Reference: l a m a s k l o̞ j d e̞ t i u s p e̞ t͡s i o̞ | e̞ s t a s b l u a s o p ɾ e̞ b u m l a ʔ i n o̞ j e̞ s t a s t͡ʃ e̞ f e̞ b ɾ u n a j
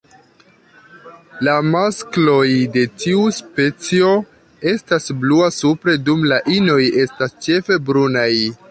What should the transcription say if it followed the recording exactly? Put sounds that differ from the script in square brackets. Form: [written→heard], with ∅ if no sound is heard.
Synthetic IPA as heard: l a m a s k l o̞ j d e̞ t i u s p e̞ t͡s i o̞ | e̞ s t a s b l u a s [o→u] p ɾ e̞ [b→d] u m l a ʔ i n o̞ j e̞ s t a s t͡ʃ e̞ f e̞ b ɾ u n a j

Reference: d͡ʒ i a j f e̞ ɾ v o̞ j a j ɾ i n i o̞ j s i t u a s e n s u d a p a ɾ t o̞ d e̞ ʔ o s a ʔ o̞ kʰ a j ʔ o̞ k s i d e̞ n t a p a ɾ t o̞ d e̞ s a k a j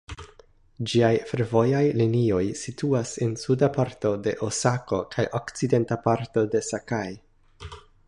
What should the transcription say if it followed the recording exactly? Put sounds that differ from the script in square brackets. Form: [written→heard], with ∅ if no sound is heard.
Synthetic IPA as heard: d͡ʒ i a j f e̞ ɾ v o̞ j a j [ɾ→l] i n i o̞ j s i t u a s e n s u d a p a ɾ t o̞ d e̞ ʔ o s a [ʔ→k] o̞ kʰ a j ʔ o̞ k [s→t͡s] i d e̞ n t a p a ɾ t o̞ d e̞ s a k a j

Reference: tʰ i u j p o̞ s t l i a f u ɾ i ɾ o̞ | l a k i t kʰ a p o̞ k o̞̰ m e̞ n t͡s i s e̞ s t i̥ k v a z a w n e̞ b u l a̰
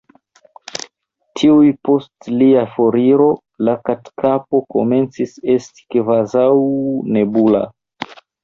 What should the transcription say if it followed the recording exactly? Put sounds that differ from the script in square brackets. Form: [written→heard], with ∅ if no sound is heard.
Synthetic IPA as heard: tʰ i u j p o̞ s t l i a f [u→o] ɾ i ɾ o̞ | l a k [i→a] t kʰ a p o̞ k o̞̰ m e̞ n t͡s i s e̞ s t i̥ k v a z a w n e̞ b u l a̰

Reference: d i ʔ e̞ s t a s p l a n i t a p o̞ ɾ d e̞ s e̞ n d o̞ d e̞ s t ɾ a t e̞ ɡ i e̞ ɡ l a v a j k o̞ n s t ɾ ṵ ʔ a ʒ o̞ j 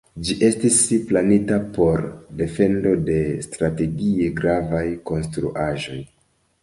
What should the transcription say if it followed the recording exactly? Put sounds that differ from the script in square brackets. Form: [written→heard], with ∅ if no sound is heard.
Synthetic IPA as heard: [d→d͡ʒ] i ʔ e̞ s t [a→i] s p l a n i t a p o̞ ɾ d e̞ [s→f] e̞ n d o̞ d e̞ s t ɾ a t e̞ ɡ i e̞ ɡ [l→ɾ] a v a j k o̞ n s t ɾ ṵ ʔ a ʒ o̞ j

